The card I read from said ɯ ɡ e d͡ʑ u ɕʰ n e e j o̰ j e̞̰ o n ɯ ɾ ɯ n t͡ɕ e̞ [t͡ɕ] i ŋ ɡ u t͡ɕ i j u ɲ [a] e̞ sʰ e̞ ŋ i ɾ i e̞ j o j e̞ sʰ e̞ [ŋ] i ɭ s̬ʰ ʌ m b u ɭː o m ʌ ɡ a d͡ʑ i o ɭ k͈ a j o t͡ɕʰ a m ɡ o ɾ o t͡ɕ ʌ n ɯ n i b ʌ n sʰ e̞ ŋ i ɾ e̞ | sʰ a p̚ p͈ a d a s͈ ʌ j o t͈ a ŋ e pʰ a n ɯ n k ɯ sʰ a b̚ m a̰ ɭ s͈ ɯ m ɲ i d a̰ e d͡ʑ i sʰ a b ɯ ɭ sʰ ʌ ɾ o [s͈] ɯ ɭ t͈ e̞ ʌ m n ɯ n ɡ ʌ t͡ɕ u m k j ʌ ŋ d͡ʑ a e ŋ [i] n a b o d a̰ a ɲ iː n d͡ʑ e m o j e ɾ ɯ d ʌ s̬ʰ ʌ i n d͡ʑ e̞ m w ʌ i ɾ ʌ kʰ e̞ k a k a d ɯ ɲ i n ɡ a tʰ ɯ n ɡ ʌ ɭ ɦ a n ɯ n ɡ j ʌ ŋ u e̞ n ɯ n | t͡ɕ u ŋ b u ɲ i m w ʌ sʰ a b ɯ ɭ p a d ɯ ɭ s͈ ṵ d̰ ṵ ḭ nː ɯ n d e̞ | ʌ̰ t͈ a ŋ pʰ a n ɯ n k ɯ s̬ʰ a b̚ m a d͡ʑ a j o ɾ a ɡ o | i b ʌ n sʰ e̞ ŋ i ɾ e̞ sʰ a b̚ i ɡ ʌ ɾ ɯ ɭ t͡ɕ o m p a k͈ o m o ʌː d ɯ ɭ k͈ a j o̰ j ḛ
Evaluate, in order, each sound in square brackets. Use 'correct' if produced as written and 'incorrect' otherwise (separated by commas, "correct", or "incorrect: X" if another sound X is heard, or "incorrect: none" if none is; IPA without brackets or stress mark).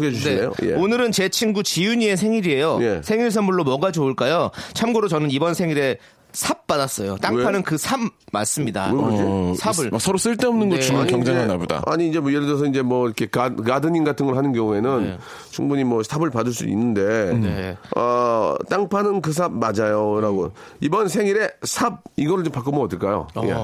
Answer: incorrect: t͡ɕʰ, incorrect: i, correct, correct, incorrect: a